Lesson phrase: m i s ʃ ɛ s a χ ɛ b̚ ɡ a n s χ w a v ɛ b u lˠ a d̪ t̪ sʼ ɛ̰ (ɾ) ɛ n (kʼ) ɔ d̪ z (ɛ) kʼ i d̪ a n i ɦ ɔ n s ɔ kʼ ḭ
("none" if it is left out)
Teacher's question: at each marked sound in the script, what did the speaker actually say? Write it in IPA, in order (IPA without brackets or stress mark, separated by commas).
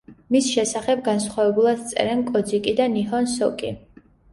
ɾ, kʼ, i